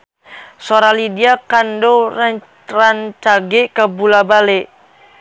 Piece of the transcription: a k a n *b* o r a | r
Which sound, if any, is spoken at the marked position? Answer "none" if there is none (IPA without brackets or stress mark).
d